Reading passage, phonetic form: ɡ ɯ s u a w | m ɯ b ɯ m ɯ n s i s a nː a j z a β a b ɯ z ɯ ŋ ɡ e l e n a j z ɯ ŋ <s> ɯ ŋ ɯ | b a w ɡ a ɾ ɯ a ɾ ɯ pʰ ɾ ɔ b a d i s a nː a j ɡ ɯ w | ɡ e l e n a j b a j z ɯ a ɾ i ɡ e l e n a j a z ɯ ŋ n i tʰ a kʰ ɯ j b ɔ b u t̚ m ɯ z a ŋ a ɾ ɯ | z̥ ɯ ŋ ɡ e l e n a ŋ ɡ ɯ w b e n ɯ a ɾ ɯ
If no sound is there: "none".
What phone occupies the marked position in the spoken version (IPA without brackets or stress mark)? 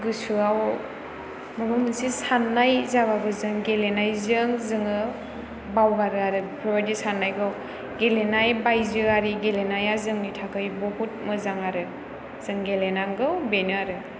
z